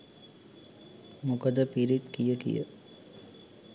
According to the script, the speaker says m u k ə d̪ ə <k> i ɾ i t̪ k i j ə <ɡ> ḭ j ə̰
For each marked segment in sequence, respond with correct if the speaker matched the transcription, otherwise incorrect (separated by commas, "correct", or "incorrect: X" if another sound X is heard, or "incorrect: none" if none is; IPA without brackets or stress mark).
incorrect: p, incorrect: k